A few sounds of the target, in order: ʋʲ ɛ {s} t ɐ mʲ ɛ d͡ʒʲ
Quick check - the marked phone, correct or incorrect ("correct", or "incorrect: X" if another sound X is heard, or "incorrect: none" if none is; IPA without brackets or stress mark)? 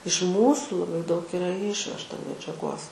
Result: incorrect: ʃ